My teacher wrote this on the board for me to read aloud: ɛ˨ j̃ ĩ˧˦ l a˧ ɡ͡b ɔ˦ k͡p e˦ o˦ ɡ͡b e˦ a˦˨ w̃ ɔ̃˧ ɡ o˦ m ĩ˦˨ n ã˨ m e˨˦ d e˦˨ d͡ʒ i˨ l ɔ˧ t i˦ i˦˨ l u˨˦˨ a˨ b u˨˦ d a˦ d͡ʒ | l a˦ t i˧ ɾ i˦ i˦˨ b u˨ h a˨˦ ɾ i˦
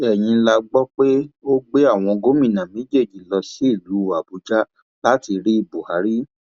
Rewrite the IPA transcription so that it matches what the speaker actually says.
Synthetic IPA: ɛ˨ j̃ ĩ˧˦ l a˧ ɡ͡b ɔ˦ k͡p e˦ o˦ ɡ͡b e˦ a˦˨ w̃ ɔ̃˧ ɡ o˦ m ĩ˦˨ n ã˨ m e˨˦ d͡ʒ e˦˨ d͡ʒ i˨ l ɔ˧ s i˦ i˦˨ l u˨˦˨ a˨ b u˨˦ d͡ʒ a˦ | l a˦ t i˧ ɾ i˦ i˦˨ b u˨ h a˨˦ ɾ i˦